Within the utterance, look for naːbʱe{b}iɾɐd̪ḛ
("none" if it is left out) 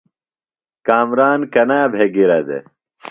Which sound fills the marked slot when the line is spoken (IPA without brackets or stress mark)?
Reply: ɡ